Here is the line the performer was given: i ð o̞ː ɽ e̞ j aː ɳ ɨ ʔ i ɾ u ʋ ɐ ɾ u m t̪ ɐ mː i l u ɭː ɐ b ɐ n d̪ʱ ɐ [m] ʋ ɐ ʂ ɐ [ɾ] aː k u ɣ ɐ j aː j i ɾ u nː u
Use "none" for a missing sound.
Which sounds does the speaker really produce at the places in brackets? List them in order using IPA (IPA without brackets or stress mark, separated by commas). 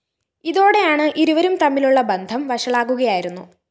m, ɭ